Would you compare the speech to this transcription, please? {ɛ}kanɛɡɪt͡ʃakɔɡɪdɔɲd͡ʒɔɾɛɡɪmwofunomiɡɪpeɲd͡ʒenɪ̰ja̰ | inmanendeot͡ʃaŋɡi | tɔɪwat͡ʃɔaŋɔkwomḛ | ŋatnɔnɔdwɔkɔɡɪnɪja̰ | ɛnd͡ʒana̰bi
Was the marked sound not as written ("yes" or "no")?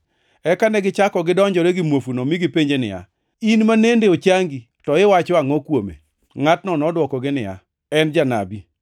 no